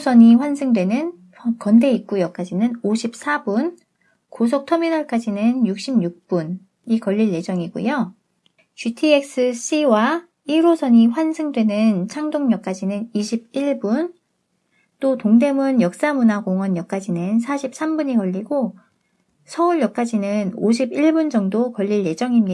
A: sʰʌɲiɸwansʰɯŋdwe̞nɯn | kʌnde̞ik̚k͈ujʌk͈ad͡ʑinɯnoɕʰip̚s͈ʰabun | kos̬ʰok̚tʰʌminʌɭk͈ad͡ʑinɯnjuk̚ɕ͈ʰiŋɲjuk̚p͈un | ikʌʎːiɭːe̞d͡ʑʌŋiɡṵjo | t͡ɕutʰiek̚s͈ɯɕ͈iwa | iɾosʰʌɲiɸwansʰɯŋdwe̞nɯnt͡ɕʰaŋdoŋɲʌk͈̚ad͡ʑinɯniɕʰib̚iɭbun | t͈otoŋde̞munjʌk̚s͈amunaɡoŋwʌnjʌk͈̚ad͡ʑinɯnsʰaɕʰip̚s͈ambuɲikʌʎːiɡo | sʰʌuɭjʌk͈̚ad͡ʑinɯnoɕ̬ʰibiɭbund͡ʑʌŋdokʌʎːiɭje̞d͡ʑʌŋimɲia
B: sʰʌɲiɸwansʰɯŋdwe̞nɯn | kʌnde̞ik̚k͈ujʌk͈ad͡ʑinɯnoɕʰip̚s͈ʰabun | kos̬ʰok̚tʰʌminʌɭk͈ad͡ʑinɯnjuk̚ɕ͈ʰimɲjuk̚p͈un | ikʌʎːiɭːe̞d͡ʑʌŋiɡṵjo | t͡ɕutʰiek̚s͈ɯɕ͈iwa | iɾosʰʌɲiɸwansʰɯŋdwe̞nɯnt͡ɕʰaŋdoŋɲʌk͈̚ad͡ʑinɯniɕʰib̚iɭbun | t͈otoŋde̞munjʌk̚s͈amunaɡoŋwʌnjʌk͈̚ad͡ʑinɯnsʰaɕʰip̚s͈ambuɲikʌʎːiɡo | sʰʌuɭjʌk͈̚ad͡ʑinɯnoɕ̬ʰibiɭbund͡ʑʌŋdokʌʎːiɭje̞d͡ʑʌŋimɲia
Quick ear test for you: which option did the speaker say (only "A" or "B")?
B